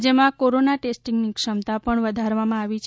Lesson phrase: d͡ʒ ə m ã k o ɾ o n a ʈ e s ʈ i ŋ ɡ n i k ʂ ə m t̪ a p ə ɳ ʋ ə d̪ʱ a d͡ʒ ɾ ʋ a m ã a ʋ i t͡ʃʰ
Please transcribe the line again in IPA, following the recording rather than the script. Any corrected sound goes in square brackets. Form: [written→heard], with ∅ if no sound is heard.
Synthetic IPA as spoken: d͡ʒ ə m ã k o ɾ o n a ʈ e s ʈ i ŋ ɡ n i k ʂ ə m t̪ a p ə ɳ ʋ ə d̪ʱ a [d͡ʒ→∅] ɾ ʋ a m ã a ʋ i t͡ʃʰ

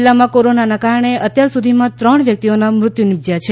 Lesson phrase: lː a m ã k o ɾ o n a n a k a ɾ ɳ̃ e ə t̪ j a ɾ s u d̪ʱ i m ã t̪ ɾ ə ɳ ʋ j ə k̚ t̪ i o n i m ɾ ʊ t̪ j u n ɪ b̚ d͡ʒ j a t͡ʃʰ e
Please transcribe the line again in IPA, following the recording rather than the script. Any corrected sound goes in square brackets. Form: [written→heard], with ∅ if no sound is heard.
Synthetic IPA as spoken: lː a m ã k o ɾ o n a n a k a ɾ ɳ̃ e ə t̪ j a ɾ s u d̪ʱ i m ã t̪ ɾ ə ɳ ʋ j ə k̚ t̪ i o n [i→a] m ɾ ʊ t̪ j u n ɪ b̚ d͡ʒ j a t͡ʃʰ e

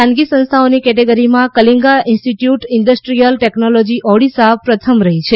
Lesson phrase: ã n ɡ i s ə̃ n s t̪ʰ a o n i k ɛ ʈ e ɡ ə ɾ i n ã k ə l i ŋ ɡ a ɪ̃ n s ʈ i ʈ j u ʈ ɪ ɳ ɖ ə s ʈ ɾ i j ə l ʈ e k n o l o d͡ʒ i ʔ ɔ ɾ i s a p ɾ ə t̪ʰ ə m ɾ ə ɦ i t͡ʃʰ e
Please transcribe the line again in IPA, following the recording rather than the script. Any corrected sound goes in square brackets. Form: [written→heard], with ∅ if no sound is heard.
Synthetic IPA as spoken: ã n ɡ i s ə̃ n s t̪ʰ a o n i k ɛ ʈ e ɡ ə ɾ i [n→m] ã k ə l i ŋ ɡ a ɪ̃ n s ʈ i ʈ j u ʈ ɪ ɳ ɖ ə s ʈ ɾ i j ə l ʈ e k n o l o d͡ʒ i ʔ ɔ [ɾ→ɽ] i s a p ɾ ə t̪ʰ ə m ɾ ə ɦ i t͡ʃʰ e

